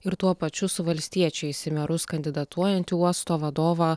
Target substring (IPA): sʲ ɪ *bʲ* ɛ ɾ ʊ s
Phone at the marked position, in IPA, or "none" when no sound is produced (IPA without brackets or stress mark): mʲ